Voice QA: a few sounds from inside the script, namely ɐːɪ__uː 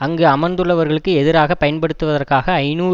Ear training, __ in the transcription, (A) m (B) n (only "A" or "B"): B